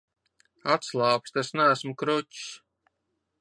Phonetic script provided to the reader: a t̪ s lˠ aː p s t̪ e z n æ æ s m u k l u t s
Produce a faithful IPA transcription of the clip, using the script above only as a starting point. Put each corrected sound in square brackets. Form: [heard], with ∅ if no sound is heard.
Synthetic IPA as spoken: a t̪ s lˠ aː p s t̪ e [s] n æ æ s m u k [ɾ] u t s